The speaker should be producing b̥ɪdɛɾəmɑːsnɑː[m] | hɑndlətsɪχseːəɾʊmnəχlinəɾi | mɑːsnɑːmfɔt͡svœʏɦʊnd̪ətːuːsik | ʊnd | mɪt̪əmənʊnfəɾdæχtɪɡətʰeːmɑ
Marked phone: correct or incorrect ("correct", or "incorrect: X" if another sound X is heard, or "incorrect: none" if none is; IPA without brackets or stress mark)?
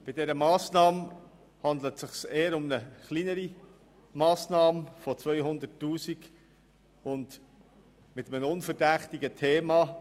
correct